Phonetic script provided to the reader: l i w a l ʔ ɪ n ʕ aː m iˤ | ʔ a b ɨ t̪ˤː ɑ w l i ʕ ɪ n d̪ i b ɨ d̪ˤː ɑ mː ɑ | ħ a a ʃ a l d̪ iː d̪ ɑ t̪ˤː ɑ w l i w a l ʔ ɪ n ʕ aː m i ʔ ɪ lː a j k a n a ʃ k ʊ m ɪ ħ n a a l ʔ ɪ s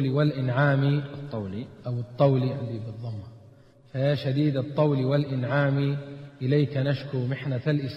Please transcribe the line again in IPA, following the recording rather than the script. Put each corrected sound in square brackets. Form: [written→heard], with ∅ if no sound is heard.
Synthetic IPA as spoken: l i w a l ʔ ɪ n ʕ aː m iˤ | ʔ a [b→w] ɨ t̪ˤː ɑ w l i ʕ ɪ n d̪ i b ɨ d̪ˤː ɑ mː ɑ | [ħ→f] a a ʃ a [l→∅] d̪ iː d̪ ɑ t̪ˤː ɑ w l i w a l ʔ ɪ n ʕ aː m i ʔ ɪ [lː→l] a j k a n a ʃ k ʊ m ɪ ħ n a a l ʔ ɪ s